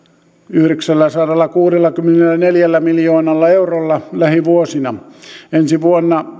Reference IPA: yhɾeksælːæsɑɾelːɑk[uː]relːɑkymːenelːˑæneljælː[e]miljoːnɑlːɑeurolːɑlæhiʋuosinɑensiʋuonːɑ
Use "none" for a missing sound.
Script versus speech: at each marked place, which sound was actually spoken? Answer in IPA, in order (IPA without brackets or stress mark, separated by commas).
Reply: uː, æ